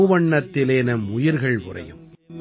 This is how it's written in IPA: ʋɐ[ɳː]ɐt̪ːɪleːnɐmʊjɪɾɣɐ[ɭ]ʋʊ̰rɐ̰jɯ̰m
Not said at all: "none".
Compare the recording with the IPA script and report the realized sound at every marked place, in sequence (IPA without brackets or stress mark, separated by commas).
ɳː, ɭ